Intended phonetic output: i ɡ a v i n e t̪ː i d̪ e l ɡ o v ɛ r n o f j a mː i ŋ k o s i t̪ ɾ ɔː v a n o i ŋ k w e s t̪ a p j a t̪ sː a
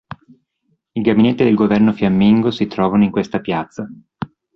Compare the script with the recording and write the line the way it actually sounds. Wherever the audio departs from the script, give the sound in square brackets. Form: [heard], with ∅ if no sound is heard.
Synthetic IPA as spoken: i ɡ a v i n e t̪ː i d̪ e l ɡ o v ɛ r n o f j a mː i ŋ [ɡ] o s i t̪ ɾ ɔː v a n o i ŋ k w e s t̪ a p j a t̪ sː a